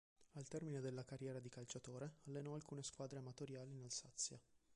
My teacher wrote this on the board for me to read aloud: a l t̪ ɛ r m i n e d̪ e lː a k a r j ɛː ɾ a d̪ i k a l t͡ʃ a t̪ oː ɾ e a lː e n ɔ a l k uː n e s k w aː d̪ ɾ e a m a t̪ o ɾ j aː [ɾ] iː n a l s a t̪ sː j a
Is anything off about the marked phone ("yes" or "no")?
yes